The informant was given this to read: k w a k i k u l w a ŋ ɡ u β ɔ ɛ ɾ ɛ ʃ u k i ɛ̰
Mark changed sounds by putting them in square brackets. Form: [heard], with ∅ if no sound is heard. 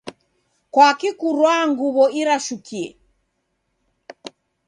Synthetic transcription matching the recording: k w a k i k u [ɾ] w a ŋ ɡ u β ɔ [i] ɾ [a] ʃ u k i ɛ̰

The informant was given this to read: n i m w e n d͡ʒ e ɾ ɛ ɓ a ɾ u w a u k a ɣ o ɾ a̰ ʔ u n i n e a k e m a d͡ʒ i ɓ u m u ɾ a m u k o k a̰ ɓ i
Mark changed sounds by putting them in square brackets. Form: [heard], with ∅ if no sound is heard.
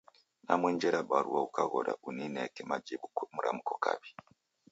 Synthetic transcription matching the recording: n [a] m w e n d͡ʒ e ɾ [a] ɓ a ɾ u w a u k a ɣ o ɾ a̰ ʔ u n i n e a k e m a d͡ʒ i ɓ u m u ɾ a m u k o k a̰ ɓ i

